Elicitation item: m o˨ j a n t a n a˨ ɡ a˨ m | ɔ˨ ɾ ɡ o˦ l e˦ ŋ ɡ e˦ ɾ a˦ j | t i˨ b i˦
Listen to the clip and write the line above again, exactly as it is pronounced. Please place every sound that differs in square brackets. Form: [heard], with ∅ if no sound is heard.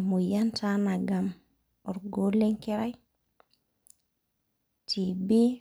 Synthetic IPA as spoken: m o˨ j a n t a n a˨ ɡ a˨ m | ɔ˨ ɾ ɡ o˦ l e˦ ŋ [k] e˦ ɾ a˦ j | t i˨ b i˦

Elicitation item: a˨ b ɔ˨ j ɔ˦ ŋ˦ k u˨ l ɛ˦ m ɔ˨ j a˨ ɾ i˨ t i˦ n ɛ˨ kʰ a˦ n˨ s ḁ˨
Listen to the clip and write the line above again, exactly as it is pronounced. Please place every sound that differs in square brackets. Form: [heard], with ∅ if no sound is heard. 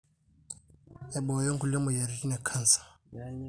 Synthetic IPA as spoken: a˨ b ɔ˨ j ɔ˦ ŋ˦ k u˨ l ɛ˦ m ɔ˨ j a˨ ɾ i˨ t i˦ n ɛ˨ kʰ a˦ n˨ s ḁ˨

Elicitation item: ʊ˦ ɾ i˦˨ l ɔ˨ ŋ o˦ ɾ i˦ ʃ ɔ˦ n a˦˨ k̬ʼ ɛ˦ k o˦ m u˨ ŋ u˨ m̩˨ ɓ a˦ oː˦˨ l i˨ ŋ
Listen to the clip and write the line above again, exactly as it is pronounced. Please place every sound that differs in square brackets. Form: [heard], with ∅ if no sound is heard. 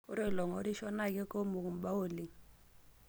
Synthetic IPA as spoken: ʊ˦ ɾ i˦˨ l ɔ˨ ŋ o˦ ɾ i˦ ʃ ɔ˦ n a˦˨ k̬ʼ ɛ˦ k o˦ m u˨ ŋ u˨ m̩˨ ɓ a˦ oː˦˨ l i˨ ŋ

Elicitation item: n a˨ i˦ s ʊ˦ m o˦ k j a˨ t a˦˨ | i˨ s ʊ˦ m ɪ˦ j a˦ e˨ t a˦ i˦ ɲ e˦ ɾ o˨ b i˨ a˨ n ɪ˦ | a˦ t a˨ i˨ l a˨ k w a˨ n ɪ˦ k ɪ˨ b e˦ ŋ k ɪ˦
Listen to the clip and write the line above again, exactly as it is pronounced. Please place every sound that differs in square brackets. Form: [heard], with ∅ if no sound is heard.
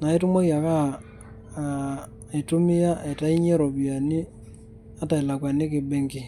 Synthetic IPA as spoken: n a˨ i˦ [t] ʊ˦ m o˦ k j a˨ [k] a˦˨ | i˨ [t] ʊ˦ m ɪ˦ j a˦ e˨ t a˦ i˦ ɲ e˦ ɾ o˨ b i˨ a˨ n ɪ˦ | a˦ t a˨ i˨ l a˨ k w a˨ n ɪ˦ k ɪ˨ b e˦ ŋ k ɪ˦

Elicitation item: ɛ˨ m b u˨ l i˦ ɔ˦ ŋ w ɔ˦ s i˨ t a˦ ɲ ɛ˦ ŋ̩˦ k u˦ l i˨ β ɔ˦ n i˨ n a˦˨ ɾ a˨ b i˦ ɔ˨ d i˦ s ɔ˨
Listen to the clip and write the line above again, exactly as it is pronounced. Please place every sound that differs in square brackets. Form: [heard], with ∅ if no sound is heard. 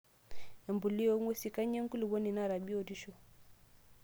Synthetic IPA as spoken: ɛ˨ m b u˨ l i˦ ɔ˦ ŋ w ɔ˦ s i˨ [k] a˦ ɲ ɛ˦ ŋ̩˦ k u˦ l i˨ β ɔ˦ n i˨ n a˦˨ ɾ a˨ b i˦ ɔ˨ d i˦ [ʃ] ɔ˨

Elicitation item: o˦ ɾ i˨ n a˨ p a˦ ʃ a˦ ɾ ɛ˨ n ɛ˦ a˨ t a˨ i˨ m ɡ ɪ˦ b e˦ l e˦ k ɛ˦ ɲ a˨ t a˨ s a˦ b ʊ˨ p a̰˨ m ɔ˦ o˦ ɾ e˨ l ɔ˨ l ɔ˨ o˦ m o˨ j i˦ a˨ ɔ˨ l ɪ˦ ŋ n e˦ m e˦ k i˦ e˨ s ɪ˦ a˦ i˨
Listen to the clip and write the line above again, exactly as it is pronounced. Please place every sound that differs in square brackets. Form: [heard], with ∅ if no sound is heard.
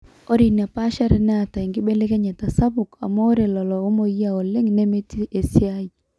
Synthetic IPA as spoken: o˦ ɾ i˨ n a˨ p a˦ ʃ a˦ ɾ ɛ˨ n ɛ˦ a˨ t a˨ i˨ [ŋ] ɡ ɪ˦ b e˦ l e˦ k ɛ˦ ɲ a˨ t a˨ s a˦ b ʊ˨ [k] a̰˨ m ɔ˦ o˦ ɾ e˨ l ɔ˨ l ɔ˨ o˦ m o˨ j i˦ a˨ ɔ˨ l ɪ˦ ŋ n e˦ m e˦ [t] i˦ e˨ s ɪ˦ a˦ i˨

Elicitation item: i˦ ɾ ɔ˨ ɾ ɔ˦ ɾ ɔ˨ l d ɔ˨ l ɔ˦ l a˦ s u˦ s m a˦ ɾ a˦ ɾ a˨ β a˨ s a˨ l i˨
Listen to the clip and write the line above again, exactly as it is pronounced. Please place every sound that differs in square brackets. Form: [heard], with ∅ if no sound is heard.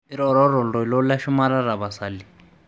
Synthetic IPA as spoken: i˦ ɾ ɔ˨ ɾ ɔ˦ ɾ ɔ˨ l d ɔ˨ l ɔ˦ l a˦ [ʃ] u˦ [∅] m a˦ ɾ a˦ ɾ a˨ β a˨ s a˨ l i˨

